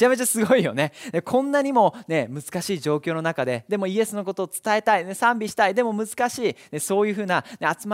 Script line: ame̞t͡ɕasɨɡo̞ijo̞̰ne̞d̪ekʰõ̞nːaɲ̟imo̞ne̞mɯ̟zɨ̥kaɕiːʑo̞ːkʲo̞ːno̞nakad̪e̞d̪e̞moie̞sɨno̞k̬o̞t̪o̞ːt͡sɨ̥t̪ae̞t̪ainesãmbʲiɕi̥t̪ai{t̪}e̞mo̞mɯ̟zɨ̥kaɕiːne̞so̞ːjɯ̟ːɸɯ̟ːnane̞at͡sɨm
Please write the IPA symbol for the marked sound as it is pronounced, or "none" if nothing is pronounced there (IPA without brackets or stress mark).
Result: d̪